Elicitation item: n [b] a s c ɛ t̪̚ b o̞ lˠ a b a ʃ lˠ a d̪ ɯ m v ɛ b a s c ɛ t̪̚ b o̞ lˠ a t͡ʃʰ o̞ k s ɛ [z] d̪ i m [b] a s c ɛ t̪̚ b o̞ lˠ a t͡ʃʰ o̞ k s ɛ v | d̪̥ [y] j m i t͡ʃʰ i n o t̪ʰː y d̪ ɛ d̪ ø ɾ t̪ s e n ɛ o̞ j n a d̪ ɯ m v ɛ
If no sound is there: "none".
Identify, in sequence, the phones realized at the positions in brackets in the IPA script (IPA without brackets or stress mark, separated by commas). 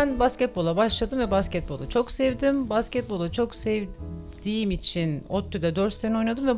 b, v, b, i